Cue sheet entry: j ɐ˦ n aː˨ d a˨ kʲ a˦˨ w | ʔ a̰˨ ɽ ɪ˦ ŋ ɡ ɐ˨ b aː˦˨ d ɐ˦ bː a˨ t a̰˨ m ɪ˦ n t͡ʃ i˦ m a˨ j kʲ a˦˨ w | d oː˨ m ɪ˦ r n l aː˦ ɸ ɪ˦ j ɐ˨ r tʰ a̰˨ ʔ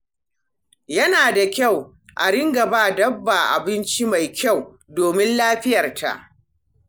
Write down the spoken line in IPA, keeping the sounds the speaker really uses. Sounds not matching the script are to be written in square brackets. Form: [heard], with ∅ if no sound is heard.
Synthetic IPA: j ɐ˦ n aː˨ d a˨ kʲ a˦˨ w | ʔ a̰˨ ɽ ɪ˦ ŋ ɡ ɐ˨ b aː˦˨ d ɐ˦ bː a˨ [ʔ] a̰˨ [b] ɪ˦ n t͡ʃ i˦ m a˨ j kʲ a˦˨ w | d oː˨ m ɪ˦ [∅] n l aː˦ ɸ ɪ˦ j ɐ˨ r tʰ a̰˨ ʔ

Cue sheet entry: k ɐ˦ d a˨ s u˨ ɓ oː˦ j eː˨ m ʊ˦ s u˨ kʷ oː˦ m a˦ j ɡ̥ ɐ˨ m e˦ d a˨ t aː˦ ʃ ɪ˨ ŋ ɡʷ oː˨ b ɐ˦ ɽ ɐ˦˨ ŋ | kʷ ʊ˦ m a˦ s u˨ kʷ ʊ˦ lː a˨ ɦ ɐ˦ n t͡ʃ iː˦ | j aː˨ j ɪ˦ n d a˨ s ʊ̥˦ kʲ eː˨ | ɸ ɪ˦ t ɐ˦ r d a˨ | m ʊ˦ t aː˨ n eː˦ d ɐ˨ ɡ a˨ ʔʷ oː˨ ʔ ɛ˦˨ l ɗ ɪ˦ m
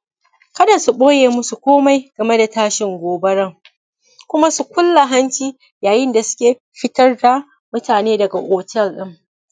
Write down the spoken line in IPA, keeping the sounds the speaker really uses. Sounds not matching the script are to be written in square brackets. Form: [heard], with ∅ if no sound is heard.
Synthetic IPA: k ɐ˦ d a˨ s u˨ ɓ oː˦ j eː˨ m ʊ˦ s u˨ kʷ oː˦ m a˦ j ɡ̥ ɐ˨ m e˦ d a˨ t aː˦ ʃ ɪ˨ ŋ ɡʷ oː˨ b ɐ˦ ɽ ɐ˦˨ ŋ | kʷ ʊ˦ m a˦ s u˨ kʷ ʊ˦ lː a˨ ɦ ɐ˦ n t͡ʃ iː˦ | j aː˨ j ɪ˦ n d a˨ s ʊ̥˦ kʲ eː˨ | ɸ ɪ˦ t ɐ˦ r d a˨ | m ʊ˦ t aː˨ n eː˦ d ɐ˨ ɡ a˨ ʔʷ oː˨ [t] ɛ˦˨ l ɗ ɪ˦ m

